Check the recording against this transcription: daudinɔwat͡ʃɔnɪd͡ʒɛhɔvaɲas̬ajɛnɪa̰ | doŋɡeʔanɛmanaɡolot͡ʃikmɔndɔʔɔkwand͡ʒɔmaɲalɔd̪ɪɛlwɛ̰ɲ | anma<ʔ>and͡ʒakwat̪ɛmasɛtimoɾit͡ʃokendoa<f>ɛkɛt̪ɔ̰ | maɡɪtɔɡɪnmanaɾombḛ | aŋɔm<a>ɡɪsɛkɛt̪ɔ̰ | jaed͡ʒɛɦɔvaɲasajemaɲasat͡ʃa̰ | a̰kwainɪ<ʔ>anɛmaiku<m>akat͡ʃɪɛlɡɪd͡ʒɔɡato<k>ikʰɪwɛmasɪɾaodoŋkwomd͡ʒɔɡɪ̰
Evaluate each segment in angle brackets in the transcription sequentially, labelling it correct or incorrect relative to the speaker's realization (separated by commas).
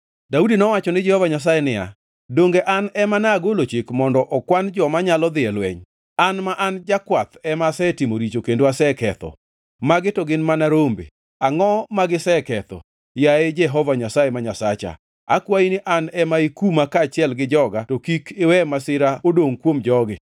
correct, incorrect, correct, correct, correct, correct